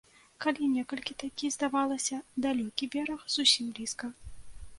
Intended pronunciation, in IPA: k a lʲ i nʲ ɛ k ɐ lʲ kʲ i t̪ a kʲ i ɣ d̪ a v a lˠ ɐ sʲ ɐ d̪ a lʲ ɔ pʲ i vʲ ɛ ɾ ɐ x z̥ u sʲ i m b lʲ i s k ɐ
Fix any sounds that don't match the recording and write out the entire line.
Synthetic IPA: k a lʲ i nʲ ɛ k ɐ lʲ kʲ i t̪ a kʲ i z d̪ a v a lˠ ɐ sʲ ɐ d̪ a lʲ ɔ kʲ i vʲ ɛ ɾ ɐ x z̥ u sʲ i m b lʲ i s k ɐ

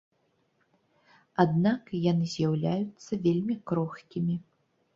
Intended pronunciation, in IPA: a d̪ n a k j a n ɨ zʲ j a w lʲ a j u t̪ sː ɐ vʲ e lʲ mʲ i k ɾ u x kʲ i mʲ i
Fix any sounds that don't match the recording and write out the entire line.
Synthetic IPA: a d̪ n a k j a n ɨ zʲ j a w lʲ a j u t̪ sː ɐ vʲ e lʲ mʲ i k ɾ ɔ x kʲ i mʲ i

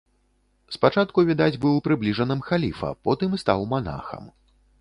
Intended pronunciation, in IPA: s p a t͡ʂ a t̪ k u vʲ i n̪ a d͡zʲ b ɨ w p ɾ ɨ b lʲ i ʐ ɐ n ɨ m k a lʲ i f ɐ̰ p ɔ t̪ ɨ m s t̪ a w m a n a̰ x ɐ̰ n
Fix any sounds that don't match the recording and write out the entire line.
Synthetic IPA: s p a t͡ʂ a t̪ k u vʲ i d̪ a d͡zʲ b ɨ w p ɾ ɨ b lʲ i ʐ ɐ n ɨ m x a lʲ i f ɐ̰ p ɔ t̪ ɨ m s t̪ a w m a n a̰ x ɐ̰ m

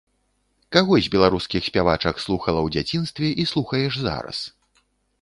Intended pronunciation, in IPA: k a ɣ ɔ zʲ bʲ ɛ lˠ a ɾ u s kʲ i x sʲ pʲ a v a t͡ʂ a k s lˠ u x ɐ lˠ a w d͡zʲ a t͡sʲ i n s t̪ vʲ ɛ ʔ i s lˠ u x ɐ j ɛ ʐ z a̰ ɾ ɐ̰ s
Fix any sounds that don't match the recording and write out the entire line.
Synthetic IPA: k a ɣ ɔ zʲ bʲ ɛ lˠ a ɾ u s kʲ i x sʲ pʲ a v a t͡ʂ ɐ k s lˠ u x ɐ lˠ ɐ w d͡zʲ a t͡sʲ i n s t̪ vʲ ɛ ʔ i s lˠ u x ɐ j ɛ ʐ z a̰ ɾ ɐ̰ s

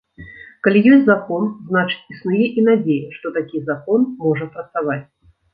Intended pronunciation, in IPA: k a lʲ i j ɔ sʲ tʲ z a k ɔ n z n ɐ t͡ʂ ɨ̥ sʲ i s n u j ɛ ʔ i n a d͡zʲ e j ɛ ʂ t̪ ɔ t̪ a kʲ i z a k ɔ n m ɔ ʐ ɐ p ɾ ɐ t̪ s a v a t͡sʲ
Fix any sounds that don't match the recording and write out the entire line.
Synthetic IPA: k a lʲ i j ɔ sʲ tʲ z a k ɔ n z n a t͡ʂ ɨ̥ t͡sʲ i s n u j ɛ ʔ i n a d͡zʲ e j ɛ ʂ t̪ ɔ t̪ a kʲ i z a k ɔ n m ɔ ʐ ɐ p ɾ ɐ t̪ s a v a t͡sʲ

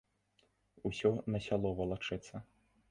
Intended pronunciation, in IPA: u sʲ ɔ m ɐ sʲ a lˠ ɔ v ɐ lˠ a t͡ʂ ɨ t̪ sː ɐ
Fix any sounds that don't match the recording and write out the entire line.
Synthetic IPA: u sʲ ɔ n ɐ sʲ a lˠ ɔ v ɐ lˠ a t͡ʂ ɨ t̪ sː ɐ

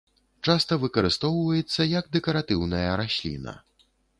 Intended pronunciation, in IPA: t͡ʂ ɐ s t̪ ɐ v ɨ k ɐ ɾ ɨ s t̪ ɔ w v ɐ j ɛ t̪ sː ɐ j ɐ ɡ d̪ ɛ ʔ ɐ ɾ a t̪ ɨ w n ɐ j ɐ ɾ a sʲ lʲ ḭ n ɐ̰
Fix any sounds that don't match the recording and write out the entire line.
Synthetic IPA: t͡ʂ a s t̪ ɐ v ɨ k ɐ ɾ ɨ s t̪ ɔ w v ɐ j ɛ t̪ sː ɐ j ɐ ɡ d̪ ɛ k ɐ ɾ a t̪ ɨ w n ɐ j ɐ ɾ a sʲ lʲ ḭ n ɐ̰

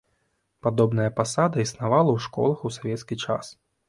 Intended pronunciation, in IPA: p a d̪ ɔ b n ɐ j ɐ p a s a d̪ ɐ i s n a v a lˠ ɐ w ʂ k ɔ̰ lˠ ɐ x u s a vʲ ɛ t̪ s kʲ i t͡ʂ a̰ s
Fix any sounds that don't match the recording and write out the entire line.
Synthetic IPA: p a d̪ ɔ b n ɐ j ɐ p a s a d̪ ɐ i s n a v a lˠ ɐ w ʂ k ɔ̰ lˠ ɐ x u s a vʲ ɛ t̪ s kʲ i t͡ʂ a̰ s

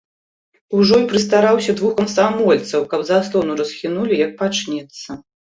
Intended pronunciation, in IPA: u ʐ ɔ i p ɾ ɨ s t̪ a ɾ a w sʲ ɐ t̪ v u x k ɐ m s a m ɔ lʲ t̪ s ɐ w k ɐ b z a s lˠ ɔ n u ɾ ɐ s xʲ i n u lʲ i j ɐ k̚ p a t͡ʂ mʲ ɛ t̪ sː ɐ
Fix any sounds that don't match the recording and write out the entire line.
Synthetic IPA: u ʐ ɔ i p ɾ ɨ s t̪ a ɾ a w sʲ ɐ d̪ v u x k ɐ m s a m ɔ lʲ t̪ s ɐ w k ɐ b z a s lˠ ɔ n u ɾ ɐ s xʲ i n u lʲ i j ɐ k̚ p a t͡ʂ nʲ ɛ t̪ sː ɐ

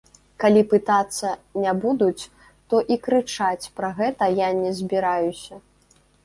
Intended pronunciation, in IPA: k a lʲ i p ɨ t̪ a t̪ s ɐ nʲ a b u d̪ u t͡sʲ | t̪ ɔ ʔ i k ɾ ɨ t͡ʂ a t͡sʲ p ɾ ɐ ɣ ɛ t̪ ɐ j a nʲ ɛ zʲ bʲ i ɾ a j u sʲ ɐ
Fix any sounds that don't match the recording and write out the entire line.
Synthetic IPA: k a lʲ i p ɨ t̪ a t̪ sː ɐ nʲ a b u d̪ u t͡sʲ | t̪ ɔ ʔ i k ɾ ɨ t͡ʂ a t͡sʲ p ɾ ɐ ɣ ɛ t̪ ɐ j a nʲ ɛ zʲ bʲ i ɾ a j u sʲ ɐ

